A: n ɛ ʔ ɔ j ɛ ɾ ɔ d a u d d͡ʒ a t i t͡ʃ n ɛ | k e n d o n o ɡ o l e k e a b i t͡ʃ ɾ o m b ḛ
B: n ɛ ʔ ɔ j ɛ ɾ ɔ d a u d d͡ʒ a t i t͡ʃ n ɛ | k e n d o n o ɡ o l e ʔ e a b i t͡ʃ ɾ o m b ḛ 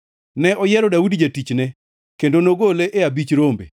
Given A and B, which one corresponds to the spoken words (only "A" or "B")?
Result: B